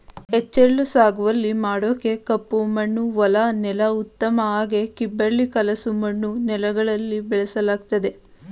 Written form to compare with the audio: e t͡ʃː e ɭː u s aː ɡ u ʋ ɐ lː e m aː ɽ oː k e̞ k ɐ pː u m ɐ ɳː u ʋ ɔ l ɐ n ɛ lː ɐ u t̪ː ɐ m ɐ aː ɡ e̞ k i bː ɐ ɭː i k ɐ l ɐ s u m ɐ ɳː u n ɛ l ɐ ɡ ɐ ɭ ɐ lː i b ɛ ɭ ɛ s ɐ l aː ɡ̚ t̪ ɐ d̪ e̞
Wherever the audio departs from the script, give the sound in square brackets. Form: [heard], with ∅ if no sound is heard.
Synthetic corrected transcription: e t͡ʃː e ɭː u s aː ɡ u ʋ ɐ lː [i] m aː ɽ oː k e̞ k ɐ pː u m ɐ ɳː u ʋ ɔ l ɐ n ɛ [l] ɐ u t̪ː ɐ m ɐ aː ɡ e̞ k i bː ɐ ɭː i k ɐ l ɐ s u m ɐ ɳː u n ɛ l ɐ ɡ ɐ ɭ ɐ lː i b ɛ ɭ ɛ s ɐ l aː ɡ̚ t̪ ɐ d̪ e̞

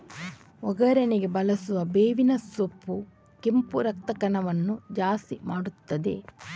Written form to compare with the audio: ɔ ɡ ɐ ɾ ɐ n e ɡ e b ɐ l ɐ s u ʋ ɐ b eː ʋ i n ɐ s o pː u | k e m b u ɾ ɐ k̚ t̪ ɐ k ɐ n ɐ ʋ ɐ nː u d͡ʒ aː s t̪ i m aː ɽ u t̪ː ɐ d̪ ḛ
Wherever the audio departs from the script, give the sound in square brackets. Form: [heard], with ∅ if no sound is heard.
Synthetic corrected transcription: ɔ ɡ ɐ ɾ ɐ n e ɡ e b ɐ l ɐ s u ʋ ɐ b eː ʋ i n ɐ s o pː u | k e m [p] u ɾ ɐ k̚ t̪ ɐ k ɐ n ɐ ʋ ɐ nː u d͡ʒ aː s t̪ i m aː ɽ u t̪ː ɐ d̪ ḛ

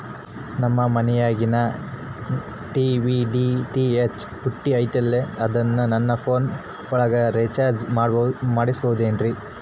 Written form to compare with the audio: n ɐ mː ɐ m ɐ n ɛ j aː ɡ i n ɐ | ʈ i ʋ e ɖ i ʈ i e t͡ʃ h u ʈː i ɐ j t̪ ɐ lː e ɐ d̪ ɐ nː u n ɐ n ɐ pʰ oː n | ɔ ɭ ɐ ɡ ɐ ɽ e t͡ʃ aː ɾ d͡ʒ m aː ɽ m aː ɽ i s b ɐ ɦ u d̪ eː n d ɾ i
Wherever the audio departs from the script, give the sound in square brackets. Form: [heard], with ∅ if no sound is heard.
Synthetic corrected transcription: n ɐ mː ɐ m ɐ n ɛ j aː ɡ i n ɐ | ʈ i ʋ [i] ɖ i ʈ i e t͡ʃ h u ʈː i ɐ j t̪ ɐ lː e ɐ d̪ ɐ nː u n ɐ [nː] ɐ pʰ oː n | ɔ ɭ ɐ ɡ ɐ [ɾ] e t͡ʃ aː ɾ d͡ʒ m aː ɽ m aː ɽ i s b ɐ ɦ u d̪ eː n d ɾ i

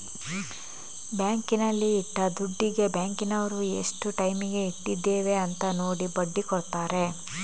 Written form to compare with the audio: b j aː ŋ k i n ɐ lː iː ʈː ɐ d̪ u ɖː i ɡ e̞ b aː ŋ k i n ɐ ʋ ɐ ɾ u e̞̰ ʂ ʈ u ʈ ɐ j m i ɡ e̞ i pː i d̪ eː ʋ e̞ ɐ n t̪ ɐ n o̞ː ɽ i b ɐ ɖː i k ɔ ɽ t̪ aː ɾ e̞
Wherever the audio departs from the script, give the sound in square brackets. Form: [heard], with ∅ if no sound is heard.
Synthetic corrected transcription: b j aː ŋ k i n ɐ lː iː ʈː ɐ d̪ u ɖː i ɡ e̞ b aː ŋ k i n ɐ ʋ ɐ ɾ u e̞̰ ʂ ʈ u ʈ ɐ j m i ɡ e̞ i [ʈː] i [d̪ː] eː ʋ e̞ ɐ n t̪ ɐ n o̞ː ɽ i b ɐ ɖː i k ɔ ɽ t̪ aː ɾ e̞

